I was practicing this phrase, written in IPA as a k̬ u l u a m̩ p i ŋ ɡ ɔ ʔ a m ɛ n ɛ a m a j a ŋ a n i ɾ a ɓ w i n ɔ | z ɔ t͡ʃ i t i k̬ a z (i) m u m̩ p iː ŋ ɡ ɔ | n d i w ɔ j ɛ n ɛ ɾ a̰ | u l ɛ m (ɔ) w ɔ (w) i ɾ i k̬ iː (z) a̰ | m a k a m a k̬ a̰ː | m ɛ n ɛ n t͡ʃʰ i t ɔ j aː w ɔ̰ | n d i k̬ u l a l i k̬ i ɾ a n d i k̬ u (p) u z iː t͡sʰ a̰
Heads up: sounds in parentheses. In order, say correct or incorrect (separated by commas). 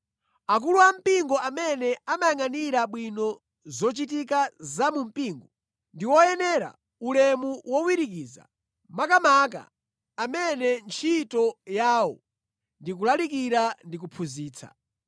incorrect, incorrect, correct, correct, incorrect